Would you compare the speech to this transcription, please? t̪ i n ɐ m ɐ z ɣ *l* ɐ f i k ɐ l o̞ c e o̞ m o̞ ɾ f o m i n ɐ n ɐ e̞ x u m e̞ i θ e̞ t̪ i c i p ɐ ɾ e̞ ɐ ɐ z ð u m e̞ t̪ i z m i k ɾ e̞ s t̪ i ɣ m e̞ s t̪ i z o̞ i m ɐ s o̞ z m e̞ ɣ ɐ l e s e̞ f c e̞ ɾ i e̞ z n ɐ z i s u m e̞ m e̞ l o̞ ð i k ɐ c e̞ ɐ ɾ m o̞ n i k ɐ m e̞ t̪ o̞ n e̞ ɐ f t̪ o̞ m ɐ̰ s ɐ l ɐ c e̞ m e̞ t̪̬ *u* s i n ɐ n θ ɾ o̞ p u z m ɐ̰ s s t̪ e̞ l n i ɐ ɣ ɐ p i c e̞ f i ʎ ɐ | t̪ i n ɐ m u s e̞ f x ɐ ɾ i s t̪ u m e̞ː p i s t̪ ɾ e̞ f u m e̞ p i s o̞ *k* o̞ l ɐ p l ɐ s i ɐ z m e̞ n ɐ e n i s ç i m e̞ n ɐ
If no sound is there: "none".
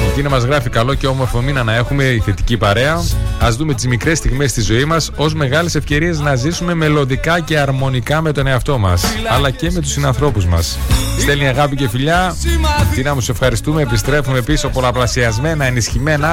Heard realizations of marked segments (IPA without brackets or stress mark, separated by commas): ɾ, u, p